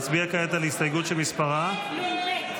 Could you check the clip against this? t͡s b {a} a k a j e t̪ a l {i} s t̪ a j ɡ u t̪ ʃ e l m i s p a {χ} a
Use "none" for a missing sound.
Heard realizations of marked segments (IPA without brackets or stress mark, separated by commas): i, i, ʁ